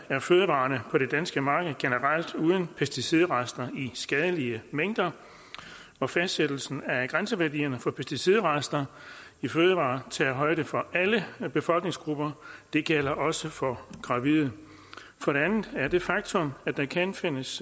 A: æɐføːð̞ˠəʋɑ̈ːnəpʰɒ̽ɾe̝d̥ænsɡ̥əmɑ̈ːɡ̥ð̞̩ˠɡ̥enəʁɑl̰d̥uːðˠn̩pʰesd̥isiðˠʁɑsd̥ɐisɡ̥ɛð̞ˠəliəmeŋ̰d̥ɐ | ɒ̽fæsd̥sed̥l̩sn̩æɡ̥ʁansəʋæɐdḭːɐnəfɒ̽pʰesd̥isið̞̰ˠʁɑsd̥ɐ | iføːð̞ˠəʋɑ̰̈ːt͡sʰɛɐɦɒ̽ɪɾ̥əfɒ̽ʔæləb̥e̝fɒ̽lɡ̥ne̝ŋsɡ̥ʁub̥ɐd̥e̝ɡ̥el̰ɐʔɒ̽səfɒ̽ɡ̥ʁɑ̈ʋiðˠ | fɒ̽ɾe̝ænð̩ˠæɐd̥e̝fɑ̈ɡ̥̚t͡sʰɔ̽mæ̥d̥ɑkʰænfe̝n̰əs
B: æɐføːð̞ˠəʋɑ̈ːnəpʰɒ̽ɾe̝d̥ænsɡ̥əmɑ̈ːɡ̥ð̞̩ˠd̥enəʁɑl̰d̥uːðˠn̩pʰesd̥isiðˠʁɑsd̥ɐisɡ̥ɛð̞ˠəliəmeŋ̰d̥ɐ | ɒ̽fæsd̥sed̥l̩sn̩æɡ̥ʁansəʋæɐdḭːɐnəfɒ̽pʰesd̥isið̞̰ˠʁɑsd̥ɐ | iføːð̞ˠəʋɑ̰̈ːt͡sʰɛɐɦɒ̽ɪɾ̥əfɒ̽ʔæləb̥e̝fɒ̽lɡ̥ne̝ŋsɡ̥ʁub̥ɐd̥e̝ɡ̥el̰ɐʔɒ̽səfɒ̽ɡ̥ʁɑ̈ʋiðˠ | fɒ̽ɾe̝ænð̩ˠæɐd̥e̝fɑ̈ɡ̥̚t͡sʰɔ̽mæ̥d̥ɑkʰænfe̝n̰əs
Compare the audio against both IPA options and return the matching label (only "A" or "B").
A